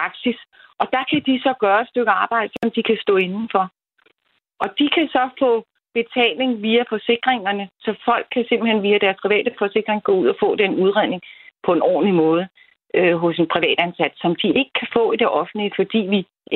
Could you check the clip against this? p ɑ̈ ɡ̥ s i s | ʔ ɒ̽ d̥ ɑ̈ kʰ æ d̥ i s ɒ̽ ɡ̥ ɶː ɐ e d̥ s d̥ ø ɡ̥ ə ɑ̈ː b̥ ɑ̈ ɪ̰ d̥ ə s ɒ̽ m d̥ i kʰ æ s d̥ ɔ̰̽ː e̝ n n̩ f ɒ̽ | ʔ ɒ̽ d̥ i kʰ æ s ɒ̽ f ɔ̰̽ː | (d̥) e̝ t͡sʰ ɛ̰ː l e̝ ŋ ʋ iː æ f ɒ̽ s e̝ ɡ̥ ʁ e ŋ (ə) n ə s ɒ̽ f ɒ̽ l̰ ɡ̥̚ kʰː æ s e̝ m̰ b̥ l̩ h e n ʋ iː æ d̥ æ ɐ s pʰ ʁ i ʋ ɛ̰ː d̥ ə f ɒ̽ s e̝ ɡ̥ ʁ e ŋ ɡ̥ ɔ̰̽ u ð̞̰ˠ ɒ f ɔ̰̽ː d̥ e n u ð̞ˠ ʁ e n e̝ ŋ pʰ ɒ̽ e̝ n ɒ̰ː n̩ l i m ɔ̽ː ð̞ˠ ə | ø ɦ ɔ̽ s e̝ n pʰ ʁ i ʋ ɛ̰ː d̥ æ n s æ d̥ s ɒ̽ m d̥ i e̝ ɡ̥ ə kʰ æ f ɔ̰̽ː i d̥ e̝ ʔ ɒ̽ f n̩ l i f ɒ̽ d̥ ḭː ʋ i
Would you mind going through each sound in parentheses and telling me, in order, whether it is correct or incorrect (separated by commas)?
incorrect, incorrect